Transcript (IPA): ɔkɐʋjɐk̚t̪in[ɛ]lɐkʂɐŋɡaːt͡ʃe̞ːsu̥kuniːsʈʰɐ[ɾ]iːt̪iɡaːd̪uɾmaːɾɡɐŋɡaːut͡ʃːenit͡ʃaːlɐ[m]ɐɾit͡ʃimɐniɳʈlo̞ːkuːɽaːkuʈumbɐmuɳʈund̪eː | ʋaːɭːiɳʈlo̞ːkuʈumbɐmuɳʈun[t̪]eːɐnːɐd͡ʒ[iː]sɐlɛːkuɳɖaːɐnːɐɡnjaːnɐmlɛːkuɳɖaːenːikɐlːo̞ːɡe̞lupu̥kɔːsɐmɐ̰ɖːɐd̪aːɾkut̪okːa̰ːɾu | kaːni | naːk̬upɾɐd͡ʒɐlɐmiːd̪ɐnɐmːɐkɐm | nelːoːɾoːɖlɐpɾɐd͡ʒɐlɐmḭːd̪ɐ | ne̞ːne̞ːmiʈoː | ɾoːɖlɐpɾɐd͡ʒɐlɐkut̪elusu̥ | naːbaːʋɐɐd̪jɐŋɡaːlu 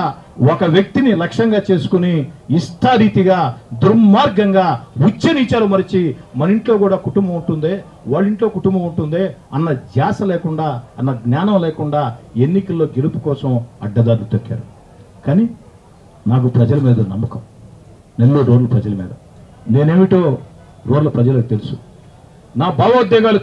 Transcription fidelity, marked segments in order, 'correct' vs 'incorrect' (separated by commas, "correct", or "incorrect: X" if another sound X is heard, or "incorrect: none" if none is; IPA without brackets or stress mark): incorrect: i, correct, correct, incorrect: d̪, incorrect: aː